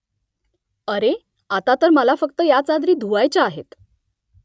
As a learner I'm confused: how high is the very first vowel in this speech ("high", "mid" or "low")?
mid